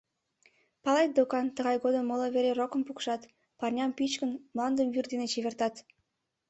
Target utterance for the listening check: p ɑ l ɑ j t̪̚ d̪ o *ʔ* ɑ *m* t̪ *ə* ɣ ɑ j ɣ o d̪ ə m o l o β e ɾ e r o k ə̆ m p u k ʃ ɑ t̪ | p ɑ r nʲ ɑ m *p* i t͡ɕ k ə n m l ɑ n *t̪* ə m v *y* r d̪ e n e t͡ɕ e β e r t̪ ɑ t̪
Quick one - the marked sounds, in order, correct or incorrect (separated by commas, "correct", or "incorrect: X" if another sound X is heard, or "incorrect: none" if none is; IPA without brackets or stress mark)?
incorrect: k, incorrect: n, correct, correct, incorrect: d̪, correct